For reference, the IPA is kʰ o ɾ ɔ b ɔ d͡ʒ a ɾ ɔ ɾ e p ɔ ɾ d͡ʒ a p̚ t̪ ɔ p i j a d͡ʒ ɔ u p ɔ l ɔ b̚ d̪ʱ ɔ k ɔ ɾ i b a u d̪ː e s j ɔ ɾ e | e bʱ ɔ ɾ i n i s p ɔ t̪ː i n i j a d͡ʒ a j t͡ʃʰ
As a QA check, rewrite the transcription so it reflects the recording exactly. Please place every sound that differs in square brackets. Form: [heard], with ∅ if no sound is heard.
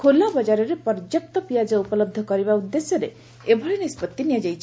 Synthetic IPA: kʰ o [l] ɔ b ɔ d͡ʒ a ɾ ɔ ɾ e p ɔ ɾ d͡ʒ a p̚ t̪ ɔ p i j a d͡ʒ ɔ u p ɔ l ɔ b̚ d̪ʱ ɔ k ɔ ɾ i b a u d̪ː e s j ɔ ɾ e | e bʱ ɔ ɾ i n i s p ɔ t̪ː i n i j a d͡ʒ a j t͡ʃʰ